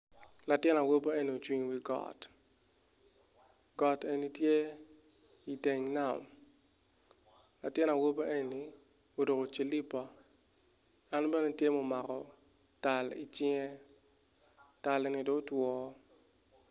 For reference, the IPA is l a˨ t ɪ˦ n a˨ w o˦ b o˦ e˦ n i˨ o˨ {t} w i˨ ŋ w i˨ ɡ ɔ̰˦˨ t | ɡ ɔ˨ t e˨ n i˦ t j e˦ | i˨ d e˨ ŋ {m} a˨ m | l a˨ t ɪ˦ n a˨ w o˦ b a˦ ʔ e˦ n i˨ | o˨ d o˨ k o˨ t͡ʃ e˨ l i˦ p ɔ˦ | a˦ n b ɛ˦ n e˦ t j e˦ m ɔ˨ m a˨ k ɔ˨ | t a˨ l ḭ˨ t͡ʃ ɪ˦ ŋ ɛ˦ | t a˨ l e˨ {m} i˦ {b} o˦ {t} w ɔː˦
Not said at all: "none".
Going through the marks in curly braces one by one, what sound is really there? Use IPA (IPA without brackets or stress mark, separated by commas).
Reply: t͡ʃ, n, n, d, t